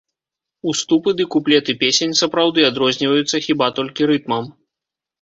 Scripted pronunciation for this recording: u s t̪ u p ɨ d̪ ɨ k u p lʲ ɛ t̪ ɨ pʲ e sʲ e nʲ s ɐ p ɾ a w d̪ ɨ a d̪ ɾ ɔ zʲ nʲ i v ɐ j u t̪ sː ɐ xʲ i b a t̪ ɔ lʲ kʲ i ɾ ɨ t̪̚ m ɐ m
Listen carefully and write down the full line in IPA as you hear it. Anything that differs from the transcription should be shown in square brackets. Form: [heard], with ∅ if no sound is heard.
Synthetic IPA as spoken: u s t̪ u p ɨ d̪ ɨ k u p lʲ ɛ t̪ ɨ pʲ e sʲ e nʲ s ɐ p ɾ a w d̪ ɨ a d̪ ɾ ɔ zʲ nʲ i v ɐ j u t̪ sː ɐ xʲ i b a t̪ ɔ lʲ kʲ i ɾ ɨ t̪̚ m ɐ m

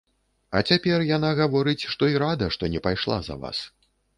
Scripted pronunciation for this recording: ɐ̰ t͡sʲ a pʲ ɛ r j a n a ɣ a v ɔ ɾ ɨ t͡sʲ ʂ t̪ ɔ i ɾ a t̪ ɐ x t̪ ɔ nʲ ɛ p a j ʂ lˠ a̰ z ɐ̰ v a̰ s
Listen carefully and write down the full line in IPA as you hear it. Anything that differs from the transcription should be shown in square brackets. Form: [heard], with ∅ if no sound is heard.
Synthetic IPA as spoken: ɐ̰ t͡sʲ a pʲ ɛ r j a n a ɣ a v ɔ ɾ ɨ t͡sʲ ʂ t̪ ɔ i ɾ a [d̪] ɐ [ʂ] t̪ ɔ nʲ ɛ p a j ʂ lˠ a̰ z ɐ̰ v a̰ s

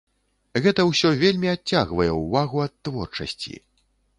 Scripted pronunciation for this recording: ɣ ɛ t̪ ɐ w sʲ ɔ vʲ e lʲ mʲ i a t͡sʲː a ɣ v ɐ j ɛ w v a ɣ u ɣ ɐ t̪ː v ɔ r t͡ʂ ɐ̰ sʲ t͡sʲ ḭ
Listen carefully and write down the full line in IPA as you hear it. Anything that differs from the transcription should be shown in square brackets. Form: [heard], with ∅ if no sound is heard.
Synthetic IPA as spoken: ɣ ɛ t̪ ɐ w sʲ ɔ vʲ e lʲ mʲ i a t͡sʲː a ɣ v ɐ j ɛ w v a ɣ u [∅] ɐ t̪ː v ɔ r t͡ʂ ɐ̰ sʲ t͡sʲ ḭ

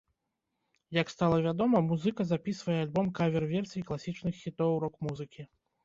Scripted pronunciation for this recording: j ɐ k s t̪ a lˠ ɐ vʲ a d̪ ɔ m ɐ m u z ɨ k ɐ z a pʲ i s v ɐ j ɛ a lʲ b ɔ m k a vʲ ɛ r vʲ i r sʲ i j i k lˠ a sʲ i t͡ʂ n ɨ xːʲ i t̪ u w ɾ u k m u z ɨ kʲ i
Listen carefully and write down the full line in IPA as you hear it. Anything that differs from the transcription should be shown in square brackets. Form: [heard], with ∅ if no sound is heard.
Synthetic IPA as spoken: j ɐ k s t̪ a lˠ ɐ vʲ a d̪ ɔ m ɐ m u z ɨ k ɐ z a pʲ i s v ɐ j ɛ a lʲ b ɔ m k a vʲ ɛ r vʲ [ɛ] r sʲ i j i k lˠ a sʲ i t͡ʂ n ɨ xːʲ i t̪ [ɔ] w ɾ [ɔ] k m u z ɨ kʲ i

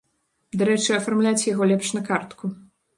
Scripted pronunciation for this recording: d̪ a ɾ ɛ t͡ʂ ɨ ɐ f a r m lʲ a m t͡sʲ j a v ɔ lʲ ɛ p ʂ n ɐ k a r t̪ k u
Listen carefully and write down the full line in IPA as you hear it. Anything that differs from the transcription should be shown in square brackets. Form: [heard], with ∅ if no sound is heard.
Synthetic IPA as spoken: d̪ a ɾ ɛ t͡ʂ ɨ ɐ f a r m lʲ a [∅] t͡sʲ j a [ɣ] ɔ lʲ ɛ p ʂ n ɐ k a r t̪ k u

